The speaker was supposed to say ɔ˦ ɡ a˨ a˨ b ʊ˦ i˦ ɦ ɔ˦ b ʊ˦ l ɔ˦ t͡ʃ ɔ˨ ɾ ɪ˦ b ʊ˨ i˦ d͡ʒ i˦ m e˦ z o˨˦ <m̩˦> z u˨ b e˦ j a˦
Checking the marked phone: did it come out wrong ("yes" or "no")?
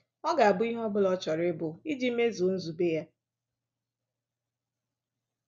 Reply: yes